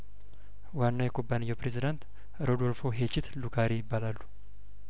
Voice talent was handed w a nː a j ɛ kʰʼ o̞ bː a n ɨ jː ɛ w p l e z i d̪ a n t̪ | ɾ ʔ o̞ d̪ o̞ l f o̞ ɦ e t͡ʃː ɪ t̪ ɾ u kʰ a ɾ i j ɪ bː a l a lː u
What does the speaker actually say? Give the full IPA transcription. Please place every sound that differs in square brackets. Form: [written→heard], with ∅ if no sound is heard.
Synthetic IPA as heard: w a nː a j ɛ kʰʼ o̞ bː a n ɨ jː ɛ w p [l→ɾ] e z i d̪ a n t̪ | ɾ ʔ o̞ d̪ o̞ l f o̞ ɦ e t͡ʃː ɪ t̪ [ɾ→l] u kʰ a ɾ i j ɪ bː a l a lː u